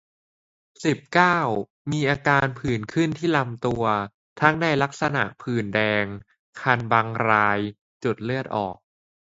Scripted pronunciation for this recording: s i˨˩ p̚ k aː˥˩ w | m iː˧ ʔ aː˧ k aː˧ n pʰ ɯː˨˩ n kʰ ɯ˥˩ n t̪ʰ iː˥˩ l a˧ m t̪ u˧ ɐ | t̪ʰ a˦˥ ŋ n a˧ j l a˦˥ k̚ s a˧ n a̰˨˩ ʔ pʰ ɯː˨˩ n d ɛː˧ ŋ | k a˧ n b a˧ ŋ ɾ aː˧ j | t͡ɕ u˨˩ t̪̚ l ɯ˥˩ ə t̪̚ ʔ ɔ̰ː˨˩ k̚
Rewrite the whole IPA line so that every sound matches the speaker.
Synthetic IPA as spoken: s i˨˩ p̚ k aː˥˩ w | m iː˧ ʔ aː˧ k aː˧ n pʰ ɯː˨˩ n kʰ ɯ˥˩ n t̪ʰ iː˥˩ l a˧ m t̪ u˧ ɐ | t̪ʰ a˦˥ ŋ n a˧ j l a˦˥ k̚ s a˧ n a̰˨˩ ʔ pʰ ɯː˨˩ n d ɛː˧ ŋ | kʰ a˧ n b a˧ ŋ ɾ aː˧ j | t͡ɕ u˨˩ t̪̚ l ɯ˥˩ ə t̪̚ ʔ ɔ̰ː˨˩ k̚